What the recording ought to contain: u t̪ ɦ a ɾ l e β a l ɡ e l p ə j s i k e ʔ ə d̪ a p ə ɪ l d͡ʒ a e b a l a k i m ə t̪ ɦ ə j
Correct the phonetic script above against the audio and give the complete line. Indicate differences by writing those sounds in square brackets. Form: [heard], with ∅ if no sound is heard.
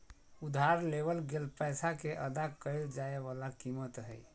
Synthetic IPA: u [d̪] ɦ a ɾ l e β [ə] l ɡ e l p ə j s [a] k e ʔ ə d̪ a [k] ə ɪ l d͡ʒ a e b a l a k i m ə t̪ ɦ ə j